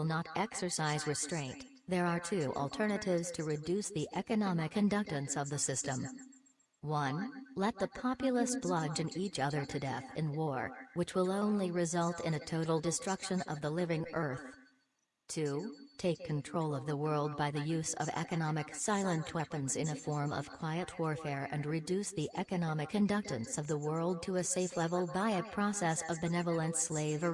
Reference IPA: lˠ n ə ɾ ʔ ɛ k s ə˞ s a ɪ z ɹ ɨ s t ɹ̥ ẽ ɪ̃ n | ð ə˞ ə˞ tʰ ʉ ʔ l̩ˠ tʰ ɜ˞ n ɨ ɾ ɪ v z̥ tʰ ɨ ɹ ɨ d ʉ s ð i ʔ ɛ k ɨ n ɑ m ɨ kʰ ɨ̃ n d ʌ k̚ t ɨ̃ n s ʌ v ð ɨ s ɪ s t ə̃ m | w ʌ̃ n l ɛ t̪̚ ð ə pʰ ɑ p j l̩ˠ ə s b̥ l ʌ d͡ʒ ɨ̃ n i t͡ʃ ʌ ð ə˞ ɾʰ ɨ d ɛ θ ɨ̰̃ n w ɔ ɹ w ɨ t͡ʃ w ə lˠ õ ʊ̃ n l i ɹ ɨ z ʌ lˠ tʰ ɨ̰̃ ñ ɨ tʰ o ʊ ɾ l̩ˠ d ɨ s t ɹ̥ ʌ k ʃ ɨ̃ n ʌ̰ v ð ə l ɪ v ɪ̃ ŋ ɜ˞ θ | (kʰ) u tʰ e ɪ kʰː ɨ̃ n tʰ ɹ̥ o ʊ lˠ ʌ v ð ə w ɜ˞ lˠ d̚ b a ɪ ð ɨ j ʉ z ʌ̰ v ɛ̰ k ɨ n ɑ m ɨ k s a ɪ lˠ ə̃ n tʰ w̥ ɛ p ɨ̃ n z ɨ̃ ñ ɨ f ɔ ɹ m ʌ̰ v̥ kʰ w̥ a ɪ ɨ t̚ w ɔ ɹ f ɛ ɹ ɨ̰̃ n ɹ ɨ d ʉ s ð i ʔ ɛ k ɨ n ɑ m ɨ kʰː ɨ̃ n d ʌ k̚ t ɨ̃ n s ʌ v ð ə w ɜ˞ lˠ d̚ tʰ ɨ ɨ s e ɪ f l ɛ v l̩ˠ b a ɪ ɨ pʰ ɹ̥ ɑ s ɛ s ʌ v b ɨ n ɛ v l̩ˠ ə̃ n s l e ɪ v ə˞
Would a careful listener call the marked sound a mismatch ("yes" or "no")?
yes